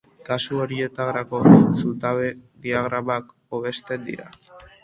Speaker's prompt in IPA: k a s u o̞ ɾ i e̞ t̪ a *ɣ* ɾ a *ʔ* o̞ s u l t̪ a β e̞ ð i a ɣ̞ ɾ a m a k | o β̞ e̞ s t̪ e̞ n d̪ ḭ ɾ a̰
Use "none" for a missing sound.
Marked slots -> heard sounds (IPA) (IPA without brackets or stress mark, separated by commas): ɣ, k